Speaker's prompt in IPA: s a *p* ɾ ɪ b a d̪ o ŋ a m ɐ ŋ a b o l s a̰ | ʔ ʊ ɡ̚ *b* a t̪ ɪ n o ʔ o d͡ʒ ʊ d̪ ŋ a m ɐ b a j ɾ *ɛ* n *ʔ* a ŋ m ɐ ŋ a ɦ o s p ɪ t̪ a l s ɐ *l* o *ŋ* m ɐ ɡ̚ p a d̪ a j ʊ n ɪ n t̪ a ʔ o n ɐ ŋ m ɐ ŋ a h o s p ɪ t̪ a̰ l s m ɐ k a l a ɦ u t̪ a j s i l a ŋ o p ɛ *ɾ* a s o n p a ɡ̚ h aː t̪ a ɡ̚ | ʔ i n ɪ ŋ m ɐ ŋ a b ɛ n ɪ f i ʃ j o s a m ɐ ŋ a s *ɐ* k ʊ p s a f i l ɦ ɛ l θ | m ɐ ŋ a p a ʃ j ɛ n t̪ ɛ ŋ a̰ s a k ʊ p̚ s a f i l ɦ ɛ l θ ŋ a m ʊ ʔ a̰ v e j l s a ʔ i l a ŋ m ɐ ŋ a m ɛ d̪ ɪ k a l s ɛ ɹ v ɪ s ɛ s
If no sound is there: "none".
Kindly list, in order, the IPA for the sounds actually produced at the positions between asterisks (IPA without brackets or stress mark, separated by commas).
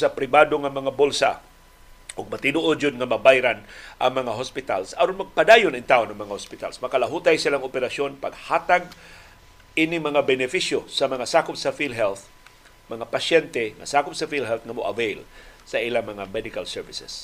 p, m, a, ʔ, ɾ, n, ɾ, a